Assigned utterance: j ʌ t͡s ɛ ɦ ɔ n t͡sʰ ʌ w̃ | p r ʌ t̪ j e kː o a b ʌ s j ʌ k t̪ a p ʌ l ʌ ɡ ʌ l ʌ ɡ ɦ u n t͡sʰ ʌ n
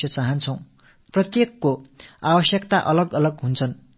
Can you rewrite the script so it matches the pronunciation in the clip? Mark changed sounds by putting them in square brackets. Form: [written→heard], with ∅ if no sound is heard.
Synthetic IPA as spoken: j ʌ t͡s [ɛ→a] ɦ [ɔ→ʌ] n t͡sʰ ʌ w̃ | p r ʌ t̪ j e kː o a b ʌ s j ʌ k t̪ a [p→ʔ] ʌ l ʌ ɡ ʌ l ʌ ɡ ɦ u n t͡sʰ ʌ n

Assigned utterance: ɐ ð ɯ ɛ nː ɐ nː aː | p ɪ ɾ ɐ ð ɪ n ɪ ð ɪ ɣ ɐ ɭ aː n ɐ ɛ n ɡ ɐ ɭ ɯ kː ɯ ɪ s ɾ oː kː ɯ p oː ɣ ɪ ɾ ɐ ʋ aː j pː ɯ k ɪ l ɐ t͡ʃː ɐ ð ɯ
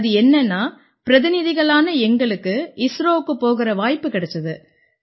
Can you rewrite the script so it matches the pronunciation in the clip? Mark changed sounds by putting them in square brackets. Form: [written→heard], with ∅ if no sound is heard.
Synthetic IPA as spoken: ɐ ð ɯ ɛ nː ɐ nː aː | p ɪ ɾ ɐ ð ɪ n ɪ ð ɪ ɣ ɐ ɭ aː n ɐ ɛ [n→ŋ] ɡ ɐ ɭ ɯ kː ɯ ɪ s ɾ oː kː ɯ p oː ɣ ɪ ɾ ɐ ʋ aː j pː ɯ k ɪ [l→ɽ] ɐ t͡ʃː ɐ ð ɯ

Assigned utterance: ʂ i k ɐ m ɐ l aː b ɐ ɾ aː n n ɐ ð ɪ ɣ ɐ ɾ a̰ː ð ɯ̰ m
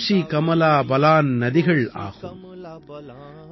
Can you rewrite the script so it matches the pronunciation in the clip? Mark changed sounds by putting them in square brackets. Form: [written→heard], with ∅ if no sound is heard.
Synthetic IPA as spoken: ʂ i k ɐ m ɐ l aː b ɐ [ɾ→l] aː n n ɐ ð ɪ ɣ ɐ [ɾ→ɭ] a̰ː [ð→ɣ] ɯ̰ m

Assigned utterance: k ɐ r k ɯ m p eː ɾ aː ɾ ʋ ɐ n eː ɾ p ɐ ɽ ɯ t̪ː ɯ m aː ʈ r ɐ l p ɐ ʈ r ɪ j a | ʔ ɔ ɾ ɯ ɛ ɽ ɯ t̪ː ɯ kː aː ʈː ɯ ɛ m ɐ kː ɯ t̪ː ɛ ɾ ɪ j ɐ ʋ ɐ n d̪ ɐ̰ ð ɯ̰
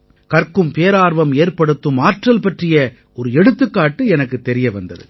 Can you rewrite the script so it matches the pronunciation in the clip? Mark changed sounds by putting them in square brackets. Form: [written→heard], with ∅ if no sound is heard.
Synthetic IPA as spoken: k ɐ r k ɯ m p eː ɾ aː ɾ ʋ ɐ [n→m] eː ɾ p ɐ ɽ ɯ t̪ː ɯ m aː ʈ r ɐ l p ɐ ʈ r ɪ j [a→ɐ] | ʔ ɔ ɾ ɯ ɛ ɽ ɯ t̪ː ɯ kː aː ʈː ɯ ɛ [m→n] ɐ kː ɯ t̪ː ɛ ɾ ɪ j ɐ ʋ ɐ n d̪ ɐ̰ ð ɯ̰

